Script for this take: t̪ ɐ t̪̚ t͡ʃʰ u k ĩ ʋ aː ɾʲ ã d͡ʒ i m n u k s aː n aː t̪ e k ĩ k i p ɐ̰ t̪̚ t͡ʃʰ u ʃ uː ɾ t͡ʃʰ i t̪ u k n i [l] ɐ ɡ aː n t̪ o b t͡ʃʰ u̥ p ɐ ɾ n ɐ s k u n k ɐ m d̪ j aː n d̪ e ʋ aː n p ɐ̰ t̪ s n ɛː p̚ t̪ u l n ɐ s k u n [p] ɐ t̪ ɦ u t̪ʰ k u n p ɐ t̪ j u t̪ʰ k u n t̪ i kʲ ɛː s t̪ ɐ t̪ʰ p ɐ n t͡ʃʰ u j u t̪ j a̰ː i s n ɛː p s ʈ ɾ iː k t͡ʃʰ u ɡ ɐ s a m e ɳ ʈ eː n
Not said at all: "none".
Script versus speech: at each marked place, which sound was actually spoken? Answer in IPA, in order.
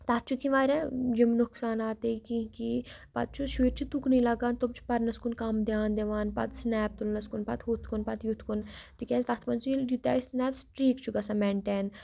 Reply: l, p

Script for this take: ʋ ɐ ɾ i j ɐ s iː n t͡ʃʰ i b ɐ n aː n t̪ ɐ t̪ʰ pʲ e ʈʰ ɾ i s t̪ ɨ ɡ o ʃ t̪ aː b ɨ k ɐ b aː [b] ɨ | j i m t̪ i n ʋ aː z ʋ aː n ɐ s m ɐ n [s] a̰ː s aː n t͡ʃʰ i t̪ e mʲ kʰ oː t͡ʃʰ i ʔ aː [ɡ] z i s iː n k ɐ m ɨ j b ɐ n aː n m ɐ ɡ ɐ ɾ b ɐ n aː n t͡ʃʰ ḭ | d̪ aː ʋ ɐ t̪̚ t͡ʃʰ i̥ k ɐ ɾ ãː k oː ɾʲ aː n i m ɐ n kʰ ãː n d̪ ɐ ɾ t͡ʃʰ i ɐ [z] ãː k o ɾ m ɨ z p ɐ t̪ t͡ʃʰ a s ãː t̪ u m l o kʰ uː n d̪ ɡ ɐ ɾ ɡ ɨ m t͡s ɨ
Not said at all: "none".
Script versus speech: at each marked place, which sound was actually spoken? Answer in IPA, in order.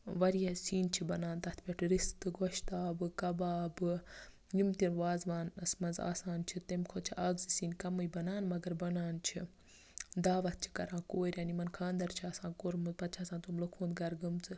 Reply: b, z, ɡ, s

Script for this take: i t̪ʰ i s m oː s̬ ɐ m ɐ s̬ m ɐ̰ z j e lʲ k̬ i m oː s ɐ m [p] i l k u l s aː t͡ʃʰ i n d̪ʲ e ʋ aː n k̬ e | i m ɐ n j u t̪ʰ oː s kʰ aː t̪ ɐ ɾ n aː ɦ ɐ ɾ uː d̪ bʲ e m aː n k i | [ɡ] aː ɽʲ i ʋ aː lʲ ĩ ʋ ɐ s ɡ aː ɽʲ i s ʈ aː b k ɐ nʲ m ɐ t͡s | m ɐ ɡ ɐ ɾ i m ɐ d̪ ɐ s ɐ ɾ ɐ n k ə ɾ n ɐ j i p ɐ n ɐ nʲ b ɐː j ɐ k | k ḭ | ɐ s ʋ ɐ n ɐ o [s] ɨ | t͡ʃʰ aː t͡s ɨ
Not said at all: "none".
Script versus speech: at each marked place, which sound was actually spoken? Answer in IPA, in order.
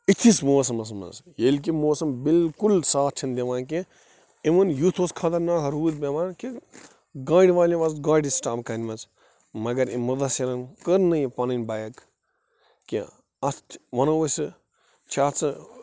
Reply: b, ɡ, s

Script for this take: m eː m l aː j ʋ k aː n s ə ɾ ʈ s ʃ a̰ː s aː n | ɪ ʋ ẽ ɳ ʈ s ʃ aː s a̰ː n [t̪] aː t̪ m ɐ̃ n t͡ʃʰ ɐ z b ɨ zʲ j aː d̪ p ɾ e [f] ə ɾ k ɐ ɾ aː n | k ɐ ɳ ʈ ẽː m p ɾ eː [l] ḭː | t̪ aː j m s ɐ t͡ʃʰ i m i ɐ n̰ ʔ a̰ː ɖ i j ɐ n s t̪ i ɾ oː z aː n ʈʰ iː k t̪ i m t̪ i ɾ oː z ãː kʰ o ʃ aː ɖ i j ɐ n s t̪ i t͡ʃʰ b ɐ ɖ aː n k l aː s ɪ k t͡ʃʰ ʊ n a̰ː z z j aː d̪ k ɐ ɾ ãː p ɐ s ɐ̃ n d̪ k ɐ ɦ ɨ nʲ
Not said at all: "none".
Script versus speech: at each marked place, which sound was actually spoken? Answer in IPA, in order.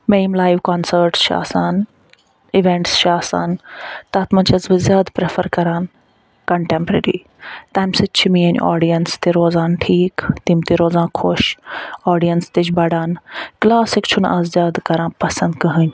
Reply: t̪, f, ɾ

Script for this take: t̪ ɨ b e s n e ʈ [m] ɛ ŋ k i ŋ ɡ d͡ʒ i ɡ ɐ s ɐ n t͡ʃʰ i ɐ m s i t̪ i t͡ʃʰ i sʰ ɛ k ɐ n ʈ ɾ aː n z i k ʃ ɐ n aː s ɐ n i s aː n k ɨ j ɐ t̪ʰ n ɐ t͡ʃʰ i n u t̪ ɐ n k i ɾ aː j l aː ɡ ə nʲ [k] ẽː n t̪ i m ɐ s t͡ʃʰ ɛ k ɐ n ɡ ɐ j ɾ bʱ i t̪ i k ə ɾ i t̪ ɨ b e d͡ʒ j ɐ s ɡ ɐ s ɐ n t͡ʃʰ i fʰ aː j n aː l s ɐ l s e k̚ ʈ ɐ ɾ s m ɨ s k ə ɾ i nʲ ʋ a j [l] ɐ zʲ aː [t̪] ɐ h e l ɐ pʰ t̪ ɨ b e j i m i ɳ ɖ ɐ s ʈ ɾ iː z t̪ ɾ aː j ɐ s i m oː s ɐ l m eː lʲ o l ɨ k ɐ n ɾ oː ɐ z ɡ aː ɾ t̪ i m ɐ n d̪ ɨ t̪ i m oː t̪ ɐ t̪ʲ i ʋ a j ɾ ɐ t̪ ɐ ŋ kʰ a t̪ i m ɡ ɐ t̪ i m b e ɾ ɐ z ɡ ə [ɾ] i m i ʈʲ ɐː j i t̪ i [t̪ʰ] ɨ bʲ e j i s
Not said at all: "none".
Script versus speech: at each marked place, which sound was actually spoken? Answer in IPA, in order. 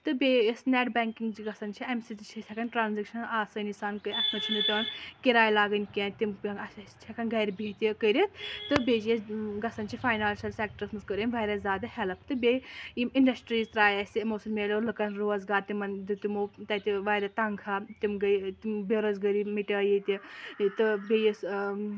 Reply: b, k, ɾ, d̪, ɾ, t̪

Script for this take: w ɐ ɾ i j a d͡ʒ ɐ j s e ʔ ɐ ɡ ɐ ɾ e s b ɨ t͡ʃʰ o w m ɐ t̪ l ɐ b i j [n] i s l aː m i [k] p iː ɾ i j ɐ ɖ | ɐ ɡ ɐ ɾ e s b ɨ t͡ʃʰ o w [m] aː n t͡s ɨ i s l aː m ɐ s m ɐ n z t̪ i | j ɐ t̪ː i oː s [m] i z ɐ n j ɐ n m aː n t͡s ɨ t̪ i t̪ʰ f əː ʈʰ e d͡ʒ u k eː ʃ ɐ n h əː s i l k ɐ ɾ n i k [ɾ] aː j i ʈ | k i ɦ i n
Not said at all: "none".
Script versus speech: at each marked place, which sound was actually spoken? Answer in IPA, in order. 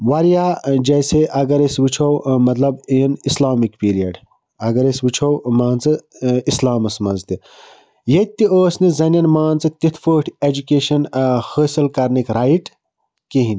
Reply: n, k, m, n, ɾ

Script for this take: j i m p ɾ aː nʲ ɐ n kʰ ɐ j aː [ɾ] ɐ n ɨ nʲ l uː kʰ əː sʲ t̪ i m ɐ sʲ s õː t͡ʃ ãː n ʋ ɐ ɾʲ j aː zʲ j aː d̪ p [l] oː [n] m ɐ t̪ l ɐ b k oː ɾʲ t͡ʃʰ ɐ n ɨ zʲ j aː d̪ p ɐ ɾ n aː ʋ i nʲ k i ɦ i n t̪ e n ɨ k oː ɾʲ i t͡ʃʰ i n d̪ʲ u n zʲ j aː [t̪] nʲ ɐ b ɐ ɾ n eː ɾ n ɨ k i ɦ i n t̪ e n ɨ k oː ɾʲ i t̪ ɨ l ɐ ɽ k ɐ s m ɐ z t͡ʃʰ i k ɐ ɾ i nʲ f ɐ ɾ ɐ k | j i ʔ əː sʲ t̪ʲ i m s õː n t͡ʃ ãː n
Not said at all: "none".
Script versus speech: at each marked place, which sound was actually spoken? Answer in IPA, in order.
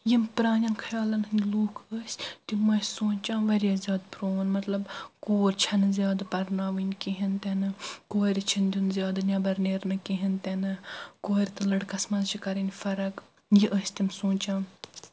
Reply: l, ɾ, n, d̪

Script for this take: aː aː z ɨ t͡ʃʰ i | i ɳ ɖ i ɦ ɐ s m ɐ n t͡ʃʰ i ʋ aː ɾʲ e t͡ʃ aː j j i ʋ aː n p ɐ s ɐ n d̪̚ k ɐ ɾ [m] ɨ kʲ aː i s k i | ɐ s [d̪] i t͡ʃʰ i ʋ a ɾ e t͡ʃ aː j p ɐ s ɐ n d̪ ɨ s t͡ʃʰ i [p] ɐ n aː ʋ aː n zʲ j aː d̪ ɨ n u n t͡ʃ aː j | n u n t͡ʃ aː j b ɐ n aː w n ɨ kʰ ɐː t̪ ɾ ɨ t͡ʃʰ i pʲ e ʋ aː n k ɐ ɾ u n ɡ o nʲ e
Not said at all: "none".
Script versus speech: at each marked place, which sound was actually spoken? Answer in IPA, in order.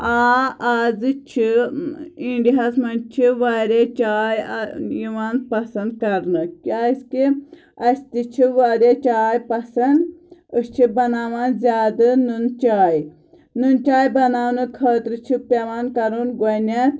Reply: n, t̪, b

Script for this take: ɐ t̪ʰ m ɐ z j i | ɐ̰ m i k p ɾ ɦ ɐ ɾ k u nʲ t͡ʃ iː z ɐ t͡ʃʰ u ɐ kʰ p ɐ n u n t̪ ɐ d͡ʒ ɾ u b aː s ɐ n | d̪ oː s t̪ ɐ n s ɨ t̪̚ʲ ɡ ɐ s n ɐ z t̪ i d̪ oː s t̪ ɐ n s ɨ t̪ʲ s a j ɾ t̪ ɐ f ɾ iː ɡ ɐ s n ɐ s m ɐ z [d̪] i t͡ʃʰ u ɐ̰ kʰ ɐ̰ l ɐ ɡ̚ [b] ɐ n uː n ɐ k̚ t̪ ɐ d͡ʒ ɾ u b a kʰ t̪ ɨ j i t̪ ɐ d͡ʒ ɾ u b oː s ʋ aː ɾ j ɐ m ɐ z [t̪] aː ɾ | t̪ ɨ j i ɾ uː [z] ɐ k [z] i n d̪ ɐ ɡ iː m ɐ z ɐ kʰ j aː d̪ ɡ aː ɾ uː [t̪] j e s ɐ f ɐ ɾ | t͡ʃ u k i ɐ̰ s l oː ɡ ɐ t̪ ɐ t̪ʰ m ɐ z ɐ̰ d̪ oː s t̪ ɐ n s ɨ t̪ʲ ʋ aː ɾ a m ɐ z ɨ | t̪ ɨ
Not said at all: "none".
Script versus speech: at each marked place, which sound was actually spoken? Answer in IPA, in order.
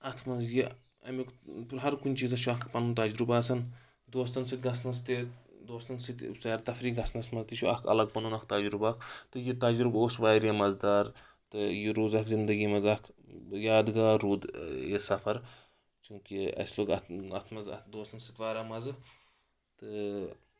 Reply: t̪, p, d̪, z, z, d̪

